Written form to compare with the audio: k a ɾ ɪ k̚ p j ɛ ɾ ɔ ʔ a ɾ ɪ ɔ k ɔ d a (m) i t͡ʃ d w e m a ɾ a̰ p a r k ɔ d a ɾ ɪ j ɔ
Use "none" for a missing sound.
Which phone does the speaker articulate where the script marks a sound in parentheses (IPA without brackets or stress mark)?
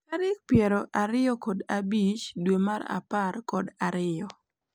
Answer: b